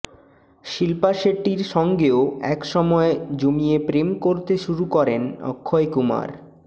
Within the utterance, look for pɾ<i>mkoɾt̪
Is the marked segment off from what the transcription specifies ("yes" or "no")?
yes